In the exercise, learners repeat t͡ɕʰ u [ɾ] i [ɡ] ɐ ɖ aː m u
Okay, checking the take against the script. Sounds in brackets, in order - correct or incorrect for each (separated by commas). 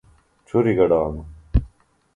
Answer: correct, correct